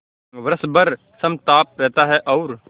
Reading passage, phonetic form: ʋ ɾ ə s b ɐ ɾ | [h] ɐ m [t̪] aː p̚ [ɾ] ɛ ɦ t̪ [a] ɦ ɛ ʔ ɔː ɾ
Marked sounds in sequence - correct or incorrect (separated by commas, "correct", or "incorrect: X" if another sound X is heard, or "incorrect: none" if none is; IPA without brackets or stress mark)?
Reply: incorrect: s, correct, correct, correct